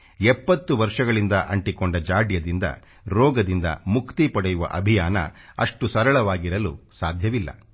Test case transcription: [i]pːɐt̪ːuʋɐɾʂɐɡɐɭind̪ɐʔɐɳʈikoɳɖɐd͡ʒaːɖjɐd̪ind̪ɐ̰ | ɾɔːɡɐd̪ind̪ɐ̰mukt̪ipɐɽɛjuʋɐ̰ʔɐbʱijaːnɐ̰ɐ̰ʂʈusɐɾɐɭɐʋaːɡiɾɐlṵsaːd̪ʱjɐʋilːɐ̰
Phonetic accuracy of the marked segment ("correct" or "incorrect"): incorrect